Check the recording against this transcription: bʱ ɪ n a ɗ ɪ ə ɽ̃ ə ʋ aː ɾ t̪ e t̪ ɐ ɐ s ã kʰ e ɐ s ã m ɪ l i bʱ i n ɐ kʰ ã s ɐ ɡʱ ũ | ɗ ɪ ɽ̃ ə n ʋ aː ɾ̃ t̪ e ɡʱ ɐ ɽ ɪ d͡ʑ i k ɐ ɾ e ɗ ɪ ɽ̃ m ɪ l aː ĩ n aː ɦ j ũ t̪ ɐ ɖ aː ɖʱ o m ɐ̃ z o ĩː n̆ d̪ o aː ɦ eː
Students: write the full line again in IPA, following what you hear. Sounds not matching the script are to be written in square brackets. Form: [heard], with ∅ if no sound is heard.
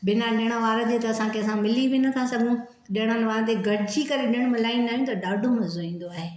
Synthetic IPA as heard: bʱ ɪ n a ɗ ɪ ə ɽ̃ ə ʋ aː ɾ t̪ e t̪ ɐ ɐ s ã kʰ e ɐ s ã m ɪ l i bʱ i n ɐ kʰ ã s ɐ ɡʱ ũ | ɗ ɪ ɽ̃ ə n ʋ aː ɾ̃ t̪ e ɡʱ ɐ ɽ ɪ d͡ʑ i k ɐ ɾ e ɗ ɪ ɽ̃ m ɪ l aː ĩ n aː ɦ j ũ t̪ ɐ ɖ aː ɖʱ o m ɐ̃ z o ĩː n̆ d̪ o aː ɦ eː